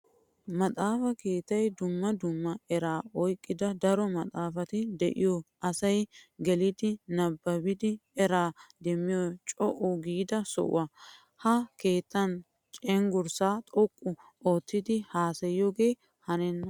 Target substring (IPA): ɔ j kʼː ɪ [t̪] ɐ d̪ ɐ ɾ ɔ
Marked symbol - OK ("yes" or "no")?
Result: no